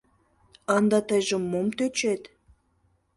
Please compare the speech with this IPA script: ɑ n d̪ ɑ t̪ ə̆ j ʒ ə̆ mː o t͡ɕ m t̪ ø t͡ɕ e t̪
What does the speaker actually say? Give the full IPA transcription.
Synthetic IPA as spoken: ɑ n d̪ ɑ t̪ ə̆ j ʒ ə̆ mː o m t̪ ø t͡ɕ e t̪